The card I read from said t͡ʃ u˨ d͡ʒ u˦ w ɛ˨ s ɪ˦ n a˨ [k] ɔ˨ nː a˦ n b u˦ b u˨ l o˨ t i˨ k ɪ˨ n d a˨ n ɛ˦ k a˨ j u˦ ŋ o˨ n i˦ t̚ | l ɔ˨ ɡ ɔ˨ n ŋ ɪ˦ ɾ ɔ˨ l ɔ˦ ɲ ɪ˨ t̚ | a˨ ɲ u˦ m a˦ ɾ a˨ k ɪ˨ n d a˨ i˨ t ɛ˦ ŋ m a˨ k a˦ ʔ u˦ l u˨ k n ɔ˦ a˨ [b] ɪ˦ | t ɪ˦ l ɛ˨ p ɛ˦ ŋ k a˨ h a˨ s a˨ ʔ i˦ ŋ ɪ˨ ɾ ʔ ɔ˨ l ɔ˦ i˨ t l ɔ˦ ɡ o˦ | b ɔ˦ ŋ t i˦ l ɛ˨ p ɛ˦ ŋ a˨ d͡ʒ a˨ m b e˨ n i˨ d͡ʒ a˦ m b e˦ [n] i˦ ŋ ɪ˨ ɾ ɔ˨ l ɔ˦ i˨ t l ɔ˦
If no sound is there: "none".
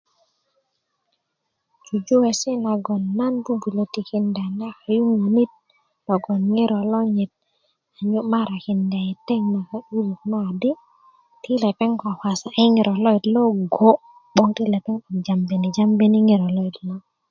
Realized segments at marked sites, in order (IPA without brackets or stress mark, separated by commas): ɡ, d, n